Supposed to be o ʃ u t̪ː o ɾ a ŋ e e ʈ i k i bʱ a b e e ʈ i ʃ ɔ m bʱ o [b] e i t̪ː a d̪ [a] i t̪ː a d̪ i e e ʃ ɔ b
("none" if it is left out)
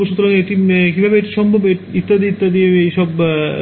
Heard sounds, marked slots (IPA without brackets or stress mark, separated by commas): b, i